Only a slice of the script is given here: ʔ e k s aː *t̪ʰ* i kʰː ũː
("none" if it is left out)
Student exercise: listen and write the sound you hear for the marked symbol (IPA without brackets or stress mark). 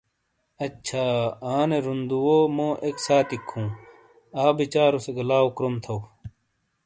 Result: t̪